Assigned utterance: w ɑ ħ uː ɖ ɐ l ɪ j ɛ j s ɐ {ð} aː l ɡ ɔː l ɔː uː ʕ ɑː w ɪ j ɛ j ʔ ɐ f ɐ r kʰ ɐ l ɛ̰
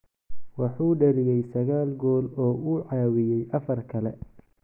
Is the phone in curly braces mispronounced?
yes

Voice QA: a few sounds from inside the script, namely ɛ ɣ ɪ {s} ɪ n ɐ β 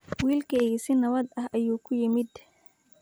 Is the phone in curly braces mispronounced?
no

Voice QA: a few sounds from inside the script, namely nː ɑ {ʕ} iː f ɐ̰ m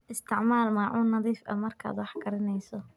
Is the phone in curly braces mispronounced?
yes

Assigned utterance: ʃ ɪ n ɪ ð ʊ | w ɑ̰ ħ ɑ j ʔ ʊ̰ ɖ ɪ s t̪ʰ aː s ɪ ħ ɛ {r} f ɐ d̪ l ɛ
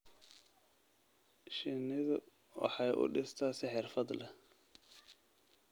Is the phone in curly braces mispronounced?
no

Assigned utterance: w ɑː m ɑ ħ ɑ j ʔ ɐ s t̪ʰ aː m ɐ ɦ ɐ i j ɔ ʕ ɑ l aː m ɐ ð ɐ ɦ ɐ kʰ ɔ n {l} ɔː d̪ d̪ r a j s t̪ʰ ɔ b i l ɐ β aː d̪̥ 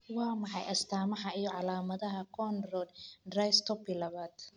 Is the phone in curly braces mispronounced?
yes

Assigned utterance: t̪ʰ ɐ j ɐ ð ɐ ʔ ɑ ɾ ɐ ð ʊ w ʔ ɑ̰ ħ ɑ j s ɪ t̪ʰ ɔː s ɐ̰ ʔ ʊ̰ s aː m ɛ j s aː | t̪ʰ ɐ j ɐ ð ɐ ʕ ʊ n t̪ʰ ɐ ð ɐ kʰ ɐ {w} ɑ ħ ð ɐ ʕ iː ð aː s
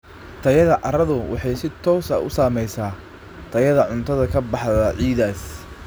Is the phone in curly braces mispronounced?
yes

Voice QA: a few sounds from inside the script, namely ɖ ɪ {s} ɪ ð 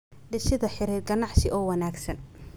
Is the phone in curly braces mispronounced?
yes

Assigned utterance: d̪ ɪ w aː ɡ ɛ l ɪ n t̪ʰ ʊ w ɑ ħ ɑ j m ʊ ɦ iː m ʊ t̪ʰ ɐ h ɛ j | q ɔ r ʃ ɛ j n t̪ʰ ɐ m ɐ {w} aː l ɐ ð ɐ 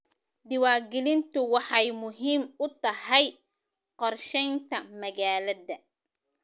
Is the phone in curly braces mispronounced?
yes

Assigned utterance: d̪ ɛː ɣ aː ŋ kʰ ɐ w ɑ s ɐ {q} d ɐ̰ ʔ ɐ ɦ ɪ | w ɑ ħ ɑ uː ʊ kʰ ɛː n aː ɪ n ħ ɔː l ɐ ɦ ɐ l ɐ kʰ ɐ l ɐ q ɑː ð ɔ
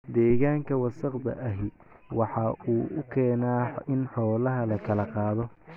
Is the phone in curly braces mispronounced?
no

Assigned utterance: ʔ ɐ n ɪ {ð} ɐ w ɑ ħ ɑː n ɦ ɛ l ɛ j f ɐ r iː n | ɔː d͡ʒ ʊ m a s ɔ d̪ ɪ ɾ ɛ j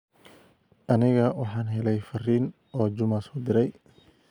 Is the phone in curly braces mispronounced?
yes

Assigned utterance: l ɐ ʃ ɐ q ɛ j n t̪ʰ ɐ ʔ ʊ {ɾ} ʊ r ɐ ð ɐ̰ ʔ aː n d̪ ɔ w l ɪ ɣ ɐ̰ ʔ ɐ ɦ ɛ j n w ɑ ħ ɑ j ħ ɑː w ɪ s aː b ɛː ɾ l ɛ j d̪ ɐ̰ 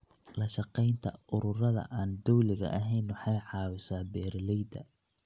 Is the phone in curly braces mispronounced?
no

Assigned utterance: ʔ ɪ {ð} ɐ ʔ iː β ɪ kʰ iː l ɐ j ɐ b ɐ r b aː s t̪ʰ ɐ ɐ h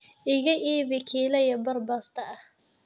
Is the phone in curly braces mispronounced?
yes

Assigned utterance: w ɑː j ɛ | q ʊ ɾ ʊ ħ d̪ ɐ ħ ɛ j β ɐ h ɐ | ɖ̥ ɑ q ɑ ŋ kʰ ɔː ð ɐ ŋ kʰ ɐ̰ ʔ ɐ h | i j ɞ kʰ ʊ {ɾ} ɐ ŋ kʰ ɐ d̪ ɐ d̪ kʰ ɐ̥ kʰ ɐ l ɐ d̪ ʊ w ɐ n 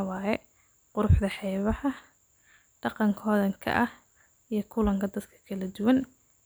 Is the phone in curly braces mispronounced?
yes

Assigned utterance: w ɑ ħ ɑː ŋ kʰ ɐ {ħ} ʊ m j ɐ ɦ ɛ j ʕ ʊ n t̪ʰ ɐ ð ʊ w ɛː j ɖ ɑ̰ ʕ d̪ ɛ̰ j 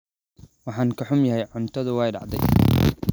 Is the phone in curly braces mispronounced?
no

